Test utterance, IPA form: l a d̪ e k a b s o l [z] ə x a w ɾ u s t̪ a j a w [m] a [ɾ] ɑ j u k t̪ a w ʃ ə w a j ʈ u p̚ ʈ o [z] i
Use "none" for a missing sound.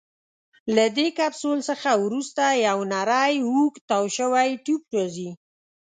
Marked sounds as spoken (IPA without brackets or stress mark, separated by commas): s, n, ɾ, z